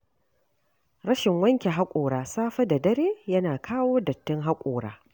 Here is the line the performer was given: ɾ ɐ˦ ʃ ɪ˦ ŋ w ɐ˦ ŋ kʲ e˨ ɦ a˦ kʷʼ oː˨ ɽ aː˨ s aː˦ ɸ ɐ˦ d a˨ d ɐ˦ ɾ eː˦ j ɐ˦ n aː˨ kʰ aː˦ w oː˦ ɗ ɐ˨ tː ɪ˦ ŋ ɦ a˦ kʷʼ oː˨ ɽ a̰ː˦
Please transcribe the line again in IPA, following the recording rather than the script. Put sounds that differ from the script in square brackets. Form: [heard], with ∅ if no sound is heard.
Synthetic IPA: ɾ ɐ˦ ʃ [ɪ˨] ŋ w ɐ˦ ŋ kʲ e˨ ɦ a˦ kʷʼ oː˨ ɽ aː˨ s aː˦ ɸ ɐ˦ d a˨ d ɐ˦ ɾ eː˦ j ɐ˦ n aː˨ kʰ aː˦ w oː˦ [d] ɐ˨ tː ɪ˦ ŋ ɦ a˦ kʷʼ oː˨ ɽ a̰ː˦

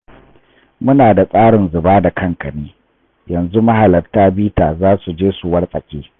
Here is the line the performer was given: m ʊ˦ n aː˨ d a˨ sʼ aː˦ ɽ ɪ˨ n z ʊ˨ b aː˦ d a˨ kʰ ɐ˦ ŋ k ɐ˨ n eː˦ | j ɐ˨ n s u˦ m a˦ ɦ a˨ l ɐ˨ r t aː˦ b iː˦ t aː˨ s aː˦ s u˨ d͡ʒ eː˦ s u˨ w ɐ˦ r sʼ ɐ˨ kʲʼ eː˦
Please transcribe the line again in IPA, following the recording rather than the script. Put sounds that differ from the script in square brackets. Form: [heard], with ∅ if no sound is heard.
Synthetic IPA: m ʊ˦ n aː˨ d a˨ sʼ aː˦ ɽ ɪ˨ n z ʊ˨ b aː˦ d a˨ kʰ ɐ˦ ŋ k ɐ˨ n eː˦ | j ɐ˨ n [z] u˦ m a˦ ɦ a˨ l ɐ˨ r t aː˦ b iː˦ t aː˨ [z] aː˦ s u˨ d͡ʒ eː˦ s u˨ w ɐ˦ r sʼ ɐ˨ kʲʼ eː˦

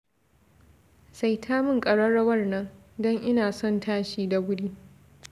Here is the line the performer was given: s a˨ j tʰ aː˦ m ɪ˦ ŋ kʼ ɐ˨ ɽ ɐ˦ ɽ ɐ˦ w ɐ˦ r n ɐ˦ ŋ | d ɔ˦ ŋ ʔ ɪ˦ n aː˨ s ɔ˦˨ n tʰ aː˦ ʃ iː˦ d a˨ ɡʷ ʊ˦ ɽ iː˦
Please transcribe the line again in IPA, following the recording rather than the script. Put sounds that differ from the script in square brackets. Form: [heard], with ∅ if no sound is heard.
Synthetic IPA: s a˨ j tʰ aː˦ m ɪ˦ ŋ kʼ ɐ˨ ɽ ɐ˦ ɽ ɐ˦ w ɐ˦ r n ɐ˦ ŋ | d ɔ˦ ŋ ʔ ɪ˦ n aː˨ s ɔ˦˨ n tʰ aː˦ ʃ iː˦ d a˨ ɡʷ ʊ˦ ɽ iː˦

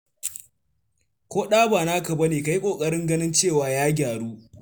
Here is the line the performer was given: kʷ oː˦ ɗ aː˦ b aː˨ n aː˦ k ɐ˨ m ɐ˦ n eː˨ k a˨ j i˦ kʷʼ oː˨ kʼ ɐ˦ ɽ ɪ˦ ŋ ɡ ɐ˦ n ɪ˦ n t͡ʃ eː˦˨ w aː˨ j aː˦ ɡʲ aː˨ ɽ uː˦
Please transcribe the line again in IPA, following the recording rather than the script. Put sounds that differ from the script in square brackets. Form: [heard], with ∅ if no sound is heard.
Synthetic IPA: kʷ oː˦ ɗ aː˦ b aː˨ n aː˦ k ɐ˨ [b] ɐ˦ n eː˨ k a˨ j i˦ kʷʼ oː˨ kʼ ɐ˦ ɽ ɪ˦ ŋ ɡ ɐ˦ n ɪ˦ n t͡ʃ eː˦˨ w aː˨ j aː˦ ɡʲ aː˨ ɽ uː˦

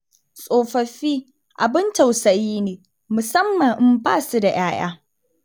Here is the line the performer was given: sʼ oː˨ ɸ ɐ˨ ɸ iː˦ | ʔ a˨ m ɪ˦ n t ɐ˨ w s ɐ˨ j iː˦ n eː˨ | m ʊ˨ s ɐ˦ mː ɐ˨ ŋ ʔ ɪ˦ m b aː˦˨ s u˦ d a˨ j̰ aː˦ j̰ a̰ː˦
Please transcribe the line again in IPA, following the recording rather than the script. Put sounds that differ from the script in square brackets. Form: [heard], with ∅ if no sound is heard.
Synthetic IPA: sʼ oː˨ ɸ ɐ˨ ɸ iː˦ | ʔ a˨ [b] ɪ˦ n t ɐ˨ w s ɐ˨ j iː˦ n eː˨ | m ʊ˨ s ɐ˦ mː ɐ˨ ŋ ʔ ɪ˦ m b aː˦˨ s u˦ d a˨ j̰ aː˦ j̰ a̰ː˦

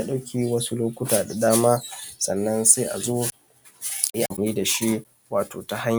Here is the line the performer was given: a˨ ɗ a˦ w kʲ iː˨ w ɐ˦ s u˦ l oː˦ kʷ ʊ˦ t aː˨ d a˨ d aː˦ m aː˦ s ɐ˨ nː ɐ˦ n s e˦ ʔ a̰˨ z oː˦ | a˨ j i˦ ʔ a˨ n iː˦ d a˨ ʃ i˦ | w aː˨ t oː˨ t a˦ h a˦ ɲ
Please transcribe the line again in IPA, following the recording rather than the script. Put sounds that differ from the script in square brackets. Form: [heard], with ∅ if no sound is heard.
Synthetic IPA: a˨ ɗ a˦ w kʲ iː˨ w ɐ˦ s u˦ l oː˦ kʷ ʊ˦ t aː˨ d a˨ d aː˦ m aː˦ s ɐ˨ nː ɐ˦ n s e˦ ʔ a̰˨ z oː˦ | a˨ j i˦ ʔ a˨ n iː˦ d a˨ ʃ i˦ | w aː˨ t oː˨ t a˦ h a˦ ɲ

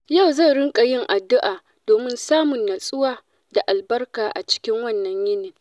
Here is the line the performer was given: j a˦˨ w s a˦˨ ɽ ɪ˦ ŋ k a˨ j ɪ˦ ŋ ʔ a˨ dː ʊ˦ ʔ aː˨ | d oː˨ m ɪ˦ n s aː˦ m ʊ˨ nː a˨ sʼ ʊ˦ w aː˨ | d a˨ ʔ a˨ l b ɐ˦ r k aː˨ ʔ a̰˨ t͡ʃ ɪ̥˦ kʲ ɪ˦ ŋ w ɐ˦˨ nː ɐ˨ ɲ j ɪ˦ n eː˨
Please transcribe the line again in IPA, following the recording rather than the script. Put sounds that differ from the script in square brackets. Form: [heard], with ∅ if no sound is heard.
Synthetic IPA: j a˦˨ w [z] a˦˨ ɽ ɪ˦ ŋ [kʼ] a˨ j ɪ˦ ŋ ʔ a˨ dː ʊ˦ ʔ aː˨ | d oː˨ m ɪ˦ n s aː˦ m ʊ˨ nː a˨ sʼ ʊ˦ w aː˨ | d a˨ ʔ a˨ l b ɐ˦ r k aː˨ ʔ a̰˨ t͡ʃ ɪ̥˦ kʲ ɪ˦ ŋ w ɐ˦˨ nː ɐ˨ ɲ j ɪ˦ n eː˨

